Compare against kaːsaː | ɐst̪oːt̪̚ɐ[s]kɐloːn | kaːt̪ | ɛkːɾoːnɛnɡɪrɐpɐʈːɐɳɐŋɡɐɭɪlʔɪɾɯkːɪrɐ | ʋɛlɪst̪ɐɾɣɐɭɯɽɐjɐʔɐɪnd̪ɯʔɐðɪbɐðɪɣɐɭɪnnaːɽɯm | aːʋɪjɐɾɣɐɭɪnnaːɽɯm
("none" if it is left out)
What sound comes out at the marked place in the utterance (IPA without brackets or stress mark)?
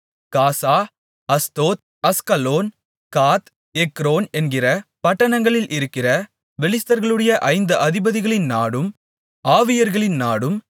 s